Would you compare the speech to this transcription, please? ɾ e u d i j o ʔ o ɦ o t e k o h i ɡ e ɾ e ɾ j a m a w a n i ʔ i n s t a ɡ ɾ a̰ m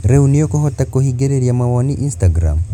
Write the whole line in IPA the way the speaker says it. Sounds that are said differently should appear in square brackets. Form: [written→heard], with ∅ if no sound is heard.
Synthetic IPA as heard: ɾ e u [d→n] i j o [ʔ→k] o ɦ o t [e→a] k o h i ɡ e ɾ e ɾ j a m a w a n i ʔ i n s t a ɡ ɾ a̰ m